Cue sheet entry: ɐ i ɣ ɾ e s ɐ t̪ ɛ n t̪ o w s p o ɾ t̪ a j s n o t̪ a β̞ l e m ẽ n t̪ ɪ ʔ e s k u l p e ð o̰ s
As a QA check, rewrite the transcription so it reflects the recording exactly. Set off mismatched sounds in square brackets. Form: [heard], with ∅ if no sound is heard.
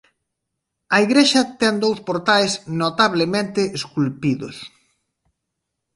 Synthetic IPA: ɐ i ɣ ɾ e [ʃ] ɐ t̪ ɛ n [d̪] o w s p o ɾ t̪ a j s n o t̪ a β̞ l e m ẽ n t̪ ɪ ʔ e s k u l p [i] ð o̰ s